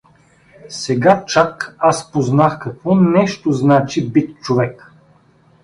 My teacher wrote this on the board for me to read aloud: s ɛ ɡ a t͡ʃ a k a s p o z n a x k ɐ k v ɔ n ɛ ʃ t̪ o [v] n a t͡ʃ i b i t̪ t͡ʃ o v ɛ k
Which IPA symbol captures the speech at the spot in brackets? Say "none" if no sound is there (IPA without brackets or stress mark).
z